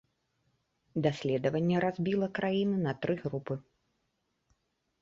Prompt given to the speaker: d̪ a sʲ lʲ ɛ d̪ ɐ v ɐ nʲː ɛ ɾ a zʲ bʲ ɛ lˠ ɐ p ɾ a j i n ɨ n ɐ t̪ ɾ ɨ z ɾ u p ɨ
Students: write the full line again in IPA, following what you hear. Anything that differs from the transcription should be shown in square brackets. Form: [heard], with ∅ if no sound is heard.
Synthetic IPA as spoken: d̪ a sʲ lʲ ɛ d̪ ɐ v ɐ nʲː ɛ ɾ a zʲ bʲ [i] lˠ ɐ [k] ɾ a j i n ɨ n ɐ t̪ ɾ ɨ [ɣ] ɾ u p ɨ